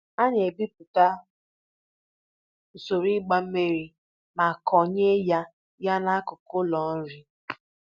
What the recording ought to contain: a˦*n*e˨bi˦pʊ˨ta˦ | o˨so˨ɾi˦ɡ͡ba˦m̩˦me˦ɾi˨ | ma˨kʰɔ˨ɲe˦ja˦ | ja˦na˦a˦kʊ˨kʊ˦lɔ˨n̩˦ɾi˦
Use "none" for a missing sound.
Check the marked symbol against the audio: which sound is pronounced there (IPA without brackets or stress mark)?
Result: ɲ